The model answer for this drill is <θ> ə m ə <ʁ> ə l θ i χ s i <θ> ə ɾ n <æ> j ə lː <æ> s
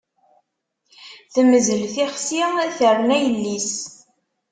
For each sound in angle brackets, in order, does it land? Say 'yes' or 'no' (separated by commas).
yes, no, yes, yes, no